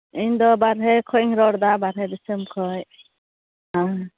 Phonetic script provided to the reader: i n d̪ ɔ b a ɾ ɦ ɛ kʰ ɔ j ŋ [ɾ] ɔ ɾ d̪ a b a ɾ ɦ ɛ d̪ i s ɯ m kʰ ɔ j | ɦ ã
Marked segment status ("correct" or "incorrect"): correct